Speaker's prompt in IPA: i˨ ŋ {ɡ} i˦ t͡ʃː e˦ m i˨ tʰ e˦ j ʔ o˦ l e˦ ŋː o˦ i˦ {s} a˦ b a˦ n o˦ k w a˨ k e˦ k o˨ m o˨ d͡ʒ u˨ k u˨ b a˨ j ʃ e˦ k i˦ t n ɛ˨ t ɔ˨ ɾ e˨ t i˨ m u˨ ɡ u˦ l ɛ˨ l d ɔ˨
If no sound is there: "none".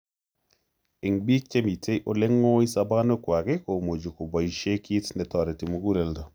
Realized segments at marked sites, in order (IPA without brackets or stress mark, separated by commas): b, s